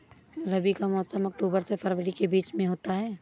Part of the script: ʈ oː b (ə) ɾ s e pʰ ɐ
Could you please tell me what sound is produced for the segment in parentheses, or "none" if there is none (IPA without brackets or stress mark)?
ə